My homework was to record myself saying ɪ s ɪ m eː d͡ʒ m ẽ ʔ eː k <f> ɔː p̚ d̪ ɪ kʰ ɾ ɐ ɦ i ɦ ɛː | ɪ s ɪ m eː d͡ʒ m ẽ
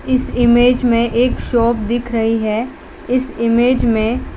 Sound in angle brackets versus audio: incorrect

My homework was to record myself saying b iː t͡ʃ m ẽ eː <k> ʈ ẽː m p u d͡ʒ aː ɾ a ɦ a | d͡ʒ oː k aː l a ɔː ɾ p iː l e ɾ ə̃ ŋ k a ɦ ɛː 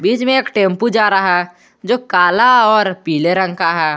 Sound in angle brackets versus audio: correct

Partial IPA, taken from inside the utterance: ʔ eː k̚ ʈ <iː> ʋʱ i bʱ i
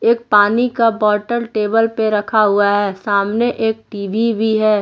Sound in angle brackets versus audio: correct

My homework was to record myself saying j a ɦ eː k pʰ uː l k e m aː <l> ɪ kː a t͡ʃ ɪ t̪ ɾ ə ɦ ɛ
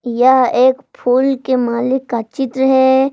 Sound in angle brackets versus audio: correct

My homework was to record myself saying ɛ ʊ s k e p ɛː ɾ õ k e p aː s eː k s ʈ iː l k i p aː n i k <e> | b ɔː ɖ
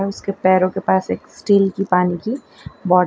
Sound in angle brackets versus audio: incorrect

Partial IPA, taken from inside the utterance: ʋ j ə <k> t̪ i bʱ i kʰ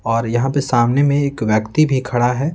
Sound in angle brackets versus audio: correct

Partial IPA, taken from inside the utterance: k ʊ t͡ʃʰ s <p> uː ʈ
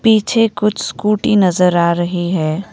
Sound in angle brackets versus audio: incorrect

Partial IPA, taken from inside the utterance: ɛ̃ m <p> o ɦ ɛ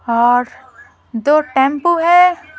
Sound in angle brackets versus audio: correct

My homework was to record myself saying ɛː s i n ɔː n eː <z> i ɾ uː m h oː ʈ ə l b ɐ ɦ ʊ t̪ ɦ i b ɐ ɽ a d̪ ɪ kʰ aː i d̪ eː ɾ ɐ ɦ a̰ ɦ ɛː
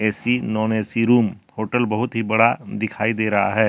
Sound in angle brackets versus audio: incorrect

